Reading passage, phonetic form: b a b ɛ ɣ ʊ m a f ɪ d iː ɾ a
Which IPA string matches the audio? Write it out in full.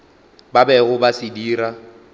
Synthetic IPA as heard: b a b ɛ ɣ ʊ b a s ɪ d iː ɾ a